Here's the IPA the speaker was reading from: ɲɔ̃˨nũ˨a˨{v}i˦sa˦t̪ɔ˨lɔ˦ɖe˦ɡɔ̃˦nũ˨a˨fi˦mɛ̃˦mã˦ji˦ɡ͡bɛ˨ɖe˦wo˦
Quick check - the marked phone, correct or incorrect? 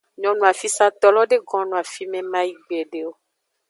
incorrect